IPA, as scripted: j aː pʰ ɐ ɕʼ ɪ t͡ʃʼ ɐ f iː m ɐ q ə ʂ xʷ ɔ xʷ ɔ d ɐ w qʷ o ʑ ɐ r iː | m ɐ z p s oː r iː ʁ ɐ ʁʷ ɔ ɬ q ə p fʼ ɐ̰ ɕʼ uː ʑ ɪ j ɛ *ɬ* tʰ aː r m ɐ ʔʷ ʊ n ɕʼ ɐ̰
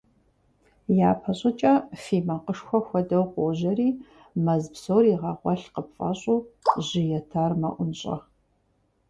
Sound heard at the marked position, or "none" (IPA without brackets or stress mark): none